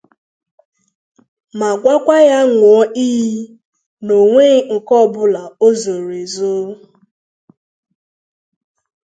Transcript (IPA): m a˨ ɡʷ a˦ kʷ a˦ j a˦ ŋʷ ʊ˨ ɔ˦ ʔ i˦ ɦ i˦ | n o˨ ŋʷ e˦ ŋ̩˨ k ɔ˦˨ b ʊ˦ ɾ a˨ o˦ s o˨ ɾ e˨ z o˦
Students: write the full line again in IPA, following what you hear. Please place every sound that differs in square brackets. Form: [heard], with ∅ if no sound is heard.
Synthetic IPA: m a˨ ɡʷ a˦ kʷ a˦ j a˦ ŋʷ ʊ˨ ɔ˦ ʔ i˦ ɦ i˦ | n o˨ ŋʷ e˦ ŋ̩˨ k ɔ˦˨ b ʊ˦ [l] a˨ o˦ [z] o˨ ɾ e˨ z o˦